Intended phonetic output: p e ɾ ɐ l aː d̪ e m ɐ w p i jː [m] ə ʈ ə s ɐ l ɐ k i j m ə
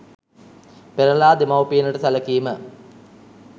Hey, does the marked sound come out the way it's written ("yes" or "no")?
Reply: no